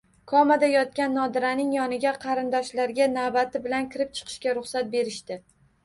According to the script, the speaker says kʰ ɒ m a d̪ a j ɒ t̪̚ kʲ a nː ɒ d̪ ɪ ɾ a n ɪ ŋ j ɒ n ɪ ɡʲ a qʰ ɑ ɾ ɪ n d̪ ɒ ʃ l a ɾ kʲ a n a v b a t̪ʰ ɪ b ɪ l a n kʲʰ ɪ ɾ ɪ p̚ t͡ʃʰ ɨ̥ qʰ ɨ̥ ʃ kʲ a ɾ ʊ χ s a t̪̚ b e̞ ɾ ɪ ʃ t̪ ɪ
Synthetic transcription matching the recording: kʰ ɒ m a d̪ a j ɒ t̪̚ kʲ a nː ɒ d̪ ɪ ɾ a n ɪ ŋ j ɒ n ɪ ɡʲ a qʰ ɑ ɾ ɪ n d̪ ɒ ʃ l a ɾ ɡʲ a n a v b a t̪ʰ ɪ b ɪ l a n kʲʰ ɪ ɾ ɪ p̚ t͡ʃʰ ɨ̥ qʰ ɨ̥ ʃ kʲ a ɾ ʊ χ s a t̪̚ b e̞ ɾ ɪ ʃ t̪ ɪ